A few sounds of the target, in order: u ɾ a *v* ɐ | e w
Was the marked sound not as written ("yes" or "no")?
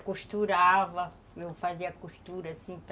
no